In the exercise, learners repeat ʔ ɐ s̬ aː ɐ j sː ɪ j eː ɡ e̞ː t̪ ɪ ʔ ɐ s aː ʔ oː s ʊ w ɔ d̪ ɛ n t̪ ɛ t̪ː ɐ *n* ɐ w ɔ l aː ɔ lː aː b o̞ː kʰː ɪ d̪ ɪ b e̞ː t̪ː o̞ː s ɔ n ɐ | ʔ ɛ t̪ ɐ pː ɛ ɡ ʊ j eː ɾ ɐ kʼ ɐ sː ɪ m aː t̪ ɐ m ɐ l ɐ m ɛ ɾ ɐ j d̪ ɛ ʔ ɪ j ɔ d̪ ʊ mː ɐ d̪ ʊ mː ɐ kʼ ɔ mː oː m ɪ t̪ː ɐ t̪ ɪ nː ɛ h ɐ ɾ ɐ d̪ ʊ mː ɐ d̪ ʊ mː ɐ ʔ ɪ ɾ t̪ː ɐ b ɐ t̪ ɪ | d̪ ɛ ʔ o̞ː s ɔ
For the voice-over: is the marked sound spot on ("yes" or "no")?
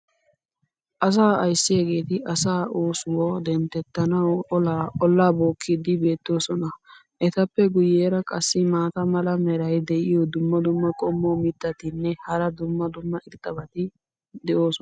yes